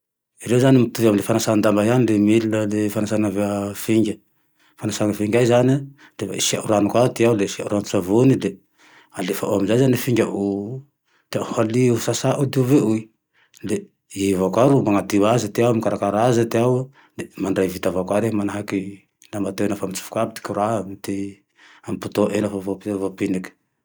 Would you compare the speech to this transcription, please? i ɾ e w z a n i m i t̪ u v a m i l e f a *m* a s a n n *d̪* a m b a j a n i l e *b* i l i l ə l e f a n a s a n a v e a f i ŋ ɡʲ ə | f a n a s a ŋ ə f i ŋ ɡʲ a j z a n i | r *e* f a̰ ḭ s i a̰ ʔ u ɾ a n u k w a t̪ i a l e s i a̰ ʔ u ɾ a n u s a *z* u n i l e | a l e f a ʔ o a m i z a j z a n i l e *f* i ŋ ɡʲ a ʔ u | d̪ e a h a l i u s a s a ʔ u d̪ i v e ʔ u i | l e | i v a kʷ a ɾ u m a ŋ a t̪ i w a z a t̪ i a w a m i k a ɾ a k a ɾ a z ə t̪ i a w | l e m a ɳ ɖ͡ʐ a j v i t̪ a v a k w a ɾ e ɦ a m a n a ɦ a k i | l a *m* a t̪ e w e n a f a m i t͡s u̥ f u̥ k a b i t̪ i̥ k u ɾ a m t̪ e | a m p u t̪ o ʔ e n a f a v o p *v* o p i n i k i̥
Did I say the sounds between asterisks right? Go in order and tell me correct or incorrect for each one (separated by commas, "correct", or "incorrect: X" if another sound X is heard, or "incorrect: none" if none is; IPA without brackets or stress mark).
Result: incorrect: n, correct, incorrect: m, correct, incorrect: v, correct, correct, correct